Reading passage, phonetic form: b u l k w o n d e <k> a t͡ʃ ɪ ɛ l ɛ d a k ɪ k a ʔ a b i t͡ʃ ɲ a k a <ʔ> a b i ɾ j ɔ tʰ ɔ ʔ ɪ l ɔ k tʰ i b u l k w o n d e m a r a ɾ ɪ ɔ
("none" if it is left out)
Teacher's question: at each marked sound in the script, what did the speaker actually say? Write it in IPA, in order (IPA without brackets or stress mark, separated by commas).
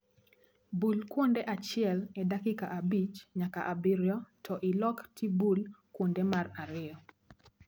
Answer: ʔ, ʔ